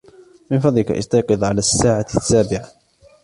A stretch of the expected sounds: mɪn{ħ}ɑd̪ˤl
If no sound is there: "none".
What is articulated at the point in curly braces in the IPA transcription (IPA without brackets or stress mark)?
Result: f